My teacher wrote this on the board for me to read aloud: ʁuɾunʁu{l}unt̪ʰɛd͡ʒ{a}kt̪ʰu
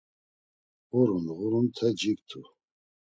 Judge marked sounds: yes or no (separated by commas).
no, no